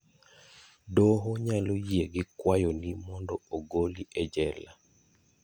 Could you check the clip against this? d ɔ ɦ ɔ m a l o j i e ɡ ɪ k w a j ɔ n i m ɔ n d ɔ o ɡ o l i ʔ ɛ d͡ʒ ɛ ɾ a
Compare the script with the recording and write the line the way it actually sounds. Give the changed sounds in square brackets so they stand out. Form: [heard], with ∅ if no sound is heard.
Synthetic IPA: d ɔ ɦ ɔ [ɲ] a l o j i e ɡ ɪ k w a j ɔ n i m ɔ n d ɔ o ɡ o l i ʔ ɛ d͡ʒ ɛ [l] a